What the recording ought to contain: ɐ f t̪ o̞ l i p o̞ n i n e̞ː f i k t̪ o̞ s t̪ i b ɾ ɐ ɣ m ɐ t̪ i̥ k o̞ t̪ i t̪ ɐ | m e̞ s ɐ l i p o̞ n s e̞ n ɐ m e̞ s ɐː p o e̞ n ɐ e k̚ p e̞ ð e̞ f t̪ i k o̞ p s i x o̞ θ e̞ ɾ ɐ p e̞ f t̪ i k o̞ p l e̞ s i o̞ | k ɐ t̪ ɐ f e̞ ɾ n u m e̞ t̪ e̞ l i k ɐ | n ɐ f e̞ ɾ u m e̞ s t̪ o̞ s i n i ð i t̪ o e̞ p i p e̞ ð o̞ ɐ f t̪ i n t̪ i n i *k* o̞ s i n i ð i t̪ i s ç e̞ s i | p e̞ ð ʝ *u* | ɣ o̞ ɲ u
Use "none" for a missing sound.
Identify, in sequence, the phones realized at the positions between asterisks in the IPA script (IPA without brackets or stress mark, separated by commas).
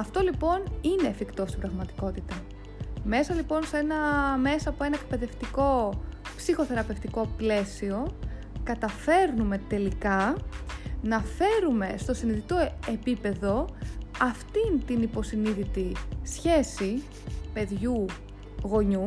p, u